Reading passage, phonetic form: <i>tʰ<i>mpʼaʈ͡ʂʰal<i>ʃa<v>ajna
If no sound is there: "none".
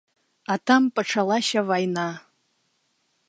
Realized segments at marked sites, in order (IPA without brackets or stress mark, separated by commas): a, a, a, v